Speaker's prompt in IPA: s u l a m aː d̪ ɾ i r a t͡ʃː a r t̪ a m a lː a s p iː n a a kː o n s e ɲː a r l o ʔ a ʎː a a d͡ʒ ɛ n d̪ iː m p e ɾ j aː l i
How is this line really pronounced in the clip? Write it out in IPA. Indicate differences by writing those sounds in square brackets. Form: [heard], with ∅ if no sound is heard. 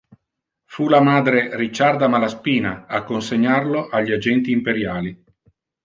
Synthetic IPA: [f] u l a m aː d̪ ɾ [e] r [i] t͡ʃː a r [d̪] a m a [l] a s p iː n a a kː o n s e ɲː a r l o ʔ a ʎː [i] a d͡ʒ ɛ n [t̪] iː m p e ɾ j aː l i